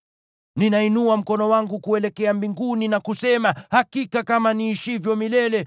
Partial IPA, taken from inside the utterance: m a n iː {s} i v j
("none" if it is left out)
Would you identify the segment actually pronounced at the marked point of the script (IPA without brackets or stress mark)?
ʃ